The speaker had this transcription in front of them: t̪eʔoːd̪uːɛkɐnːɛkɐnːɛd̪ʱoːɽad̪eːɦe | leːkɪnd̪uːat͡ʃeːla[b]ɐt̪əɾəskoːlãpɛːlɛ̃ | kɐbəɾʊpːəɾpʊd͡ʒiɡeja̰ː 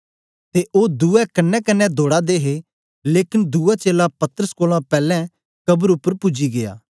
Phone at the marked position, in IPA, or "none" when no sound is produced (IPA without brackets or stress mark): p